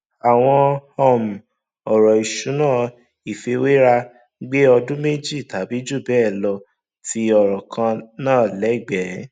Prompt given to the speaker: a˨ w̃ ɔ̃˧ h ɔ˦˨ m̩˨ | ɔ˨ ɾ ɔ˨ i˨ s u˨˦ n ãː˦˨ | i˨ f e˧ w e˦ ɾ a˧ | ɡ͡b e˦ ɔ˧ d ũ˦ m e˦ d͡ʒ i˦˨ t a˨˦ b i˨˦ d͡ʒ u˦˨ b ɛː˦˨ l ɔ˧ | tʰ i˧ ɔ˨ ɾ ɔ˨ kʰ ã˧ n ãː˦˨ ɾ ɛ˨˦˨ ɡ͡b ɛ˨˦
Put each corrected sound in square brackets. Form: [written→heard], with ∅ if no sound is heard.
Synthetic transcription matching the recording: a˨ w̃ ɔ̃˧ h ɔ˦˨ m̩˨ | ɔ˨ ɾ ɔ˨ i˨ [s→ʃ] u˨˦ n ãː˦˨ | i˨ f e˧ w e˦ ɾ a˧ | ɡ͡b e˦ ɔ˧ d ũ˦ m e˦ d͡ʒ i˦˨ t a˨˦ b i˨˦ d͡ʒ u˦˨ b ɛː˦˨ l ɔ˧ | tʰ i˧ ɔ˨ ɾ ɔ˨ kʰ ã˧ n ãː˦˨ [ɾ→l] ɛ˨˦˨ ɡ͡b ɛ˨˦

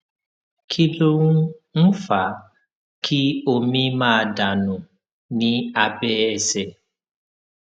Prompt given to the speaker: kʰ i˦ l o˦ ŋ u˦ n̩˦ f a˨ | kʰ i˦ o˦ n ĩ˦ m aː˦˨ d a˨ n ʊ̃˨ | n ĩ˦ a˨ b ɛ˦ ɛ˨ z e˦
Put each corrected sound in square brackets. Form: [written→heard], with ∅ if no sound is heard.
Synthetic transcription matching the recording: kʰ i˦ l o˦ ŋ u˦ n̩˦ f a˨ | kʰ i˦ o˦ [n→m] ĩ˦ m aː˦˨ d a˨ n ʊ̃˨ | n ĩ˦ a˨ b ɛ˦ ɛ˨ [z→s] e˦

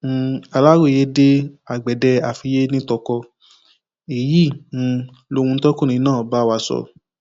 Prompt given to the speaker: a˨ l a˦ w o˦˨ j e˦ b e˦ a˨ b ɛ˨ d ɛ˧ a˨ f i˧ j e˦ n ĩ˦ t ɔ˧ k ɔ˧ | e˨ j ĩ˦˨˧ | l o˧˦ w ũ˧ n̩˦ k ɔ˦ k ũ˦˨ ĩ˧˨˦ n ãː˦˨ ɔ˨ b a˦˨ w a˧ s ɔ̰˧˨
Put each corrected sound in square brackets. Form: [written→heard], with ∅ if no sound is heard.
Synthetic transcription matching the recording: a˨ l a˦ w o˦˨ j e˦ [b→d] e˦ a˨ [b→ɡ͡b] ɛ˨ d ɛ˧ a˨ f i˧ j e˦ n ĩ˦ t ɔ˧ k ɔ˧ | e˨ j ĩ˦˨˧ | l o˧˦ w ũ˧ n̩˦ [k→t] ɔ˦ k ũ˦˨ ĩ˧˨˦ n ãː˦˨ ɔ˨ b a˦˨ w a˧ s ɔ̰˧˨

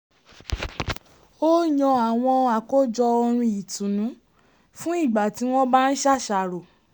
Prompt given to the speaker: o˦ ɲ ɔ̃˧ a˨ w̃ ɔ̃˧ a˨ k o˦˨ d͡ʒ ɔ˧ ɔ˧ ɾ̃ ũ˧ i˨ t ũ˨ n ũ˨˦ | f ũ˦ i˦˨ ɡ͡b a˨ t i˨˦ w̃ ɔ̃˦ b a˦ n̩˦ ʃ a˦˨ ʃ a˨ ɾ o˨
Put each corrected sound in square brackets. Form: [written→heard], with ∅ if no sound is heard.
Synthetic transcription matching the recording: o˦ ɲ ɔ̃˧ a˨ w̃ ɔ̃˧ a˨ k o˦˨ d͡ʒ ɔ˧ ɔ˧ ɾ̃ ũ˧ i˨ t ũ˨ n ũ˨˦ | f ũ˦ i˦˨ ɡ͡b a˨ t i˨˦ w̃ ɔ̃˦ b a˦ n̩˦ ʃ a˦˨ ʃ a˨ ɾ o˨

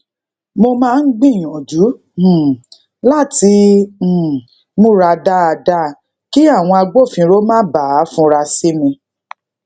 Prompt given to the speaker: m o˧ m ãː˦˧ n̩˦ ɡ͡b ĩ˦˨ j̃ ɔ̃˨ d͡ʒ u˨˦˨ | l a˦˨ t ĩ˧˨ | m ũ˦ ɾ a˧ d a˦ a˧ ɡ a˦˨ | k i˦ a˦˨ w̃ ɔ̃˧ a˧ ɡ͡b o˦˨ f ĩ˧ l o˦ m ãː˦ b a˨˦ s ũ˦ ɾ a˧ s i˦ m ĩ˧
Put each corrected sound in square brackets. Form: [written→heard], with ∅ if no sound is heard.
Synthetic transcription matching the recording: m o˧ m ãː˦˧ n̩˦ ɡ͡b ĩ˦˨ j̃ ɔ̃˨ d͡ʒ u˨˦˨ | l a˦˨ t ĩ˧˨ | m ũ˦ ɾ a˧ d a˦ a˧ [ɡ→d] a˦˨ | k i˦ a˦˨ w̃ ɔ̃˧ a˧ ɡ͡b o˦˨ f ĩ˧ [l→ɾ] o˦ m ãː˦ b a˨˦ [s→f] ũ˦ ɾ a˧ s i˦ m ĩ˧

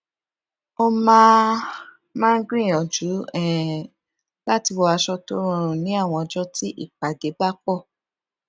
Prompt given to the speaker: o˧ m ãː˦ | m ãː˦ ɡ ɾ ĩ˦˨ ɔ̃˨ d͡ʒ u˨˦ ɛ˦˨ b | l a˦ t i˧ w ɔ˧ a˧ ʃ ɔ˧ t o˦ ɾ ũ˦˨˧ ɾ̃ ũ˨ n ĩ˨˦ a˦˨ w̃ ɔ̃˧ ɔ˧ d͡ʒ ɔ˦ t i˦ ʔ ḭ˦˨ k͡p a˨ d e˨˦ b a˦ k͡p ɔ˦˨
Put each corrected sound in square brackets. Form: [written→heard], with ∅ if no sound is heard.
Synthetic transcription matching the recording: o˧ m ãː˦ | m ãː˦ ɡ ɾ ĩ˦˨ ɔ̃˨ d͡ʒ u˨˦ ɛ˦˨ [b→∅] | l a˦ t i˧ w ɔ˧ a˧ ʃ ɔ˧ t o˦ ɾ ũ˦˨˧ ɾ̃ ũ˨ n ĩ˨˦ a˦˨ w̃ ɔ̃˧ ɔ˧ d͡ʒ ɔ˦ t i˦ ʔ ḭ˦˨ k͡p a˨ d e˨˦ b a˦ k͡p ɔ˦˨

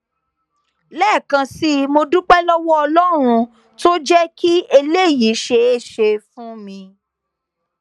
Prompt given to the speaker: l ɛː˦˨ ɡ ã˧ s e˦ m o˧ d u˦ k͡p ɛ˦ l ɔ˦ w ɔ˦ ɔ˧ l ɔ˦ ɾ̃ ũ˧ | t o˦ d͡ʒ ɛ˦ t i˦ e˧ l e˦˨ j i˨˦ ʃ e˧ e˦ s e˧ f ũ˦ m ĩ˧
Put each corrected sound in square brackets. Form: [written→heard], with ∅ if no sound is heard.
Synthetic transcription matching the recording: l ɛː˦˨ [ɡ→k] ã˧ s [e˦→i˦] m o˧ d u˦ k͡p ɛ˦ l ɔ˦ w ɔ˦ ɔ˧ l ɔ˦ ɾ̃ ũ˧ | t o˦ d͡ʒ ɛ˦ [t→k] i˦ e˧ l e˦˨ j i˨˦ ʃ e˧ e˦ [s→ʃ] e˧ f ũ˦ m ĩ˧

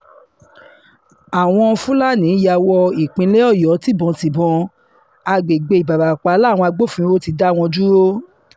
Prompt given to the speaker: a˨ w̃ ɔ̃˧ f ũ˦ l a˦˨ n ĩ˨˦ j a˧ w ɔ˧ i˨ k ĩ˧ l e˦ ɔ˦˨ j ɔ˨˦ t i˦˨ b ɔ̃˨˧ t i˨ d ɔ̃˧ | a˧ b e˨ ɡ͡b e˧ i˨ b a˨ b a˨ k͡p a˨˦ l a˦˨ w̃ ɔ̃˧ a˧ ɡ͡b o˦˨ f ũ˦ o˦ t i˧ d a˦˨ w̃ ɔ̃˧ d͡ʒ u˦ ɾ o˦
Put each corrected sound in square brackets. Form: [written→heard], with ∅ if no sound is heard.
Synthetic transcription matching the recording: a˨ w̃ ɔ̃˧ f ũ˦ l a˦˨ n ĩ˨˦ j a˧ w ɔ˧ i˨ [k→k͡p] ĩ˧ l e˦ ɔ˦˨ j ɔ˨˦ t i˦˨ b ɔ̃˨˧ t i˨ [d→b] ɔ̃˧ | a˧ [b→ɡ͡b] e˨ ɡ͡b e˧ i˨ b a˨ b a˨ k͡p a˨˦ l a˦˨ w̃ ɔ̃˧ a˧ ɡ͡b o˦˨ f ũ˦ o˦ t i˧ d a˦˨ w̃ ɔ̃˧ d͡ʒ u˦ ɾ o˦

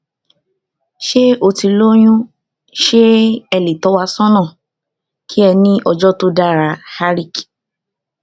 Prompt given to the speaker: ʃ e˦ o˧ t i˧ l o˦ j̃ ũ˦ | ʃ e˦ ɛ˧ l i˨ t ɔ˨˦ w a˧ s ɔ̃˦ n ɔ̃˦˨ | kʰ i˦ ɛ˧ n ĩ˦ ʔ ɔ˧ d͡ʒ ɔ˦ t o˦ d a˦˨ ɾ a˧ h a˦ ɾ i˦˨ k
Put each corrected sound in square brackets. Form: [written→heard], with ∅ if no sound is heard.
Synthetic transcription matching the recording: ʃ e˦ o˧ t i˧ l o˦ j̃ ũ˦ | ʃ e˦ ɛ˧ l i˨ t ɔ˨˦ w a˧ s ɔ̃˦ n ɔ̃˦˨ | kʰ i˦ ɛ˧ n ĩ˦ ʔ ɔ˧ d͡ʒ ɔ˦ t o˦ d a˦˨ ɾ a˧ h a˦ ɾ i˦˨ k

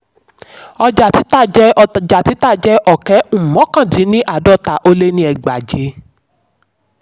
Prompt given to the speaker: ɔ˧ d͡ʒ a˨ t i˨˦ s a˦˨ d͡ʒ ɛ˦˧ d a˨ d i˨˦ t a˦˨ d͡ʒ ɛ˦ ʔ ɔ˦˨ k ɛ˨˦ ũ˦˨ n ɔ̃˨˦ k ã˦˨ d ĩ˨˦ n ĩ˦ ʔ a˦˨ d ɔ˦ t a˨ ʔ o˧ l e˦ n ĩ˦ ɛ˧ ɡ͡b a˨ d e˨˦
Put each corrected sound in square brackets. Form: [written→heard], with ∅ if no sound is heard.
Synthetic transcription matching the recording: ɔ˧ d͡ʒ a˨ t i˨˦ [s→t] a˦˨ d͡ʒ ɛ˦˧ [d→d͡ʒ] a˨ [d→t] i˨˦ t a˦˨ d͡ʒ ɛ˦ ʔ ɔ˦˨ k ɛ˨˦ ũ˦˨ [n→m] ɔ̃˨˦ k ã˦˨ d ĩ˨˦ n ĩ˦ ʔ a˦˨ d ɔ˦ t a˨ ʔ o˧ l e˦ n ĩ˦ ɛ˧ ɡ͡b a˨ [d→d͡ʒ] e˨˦

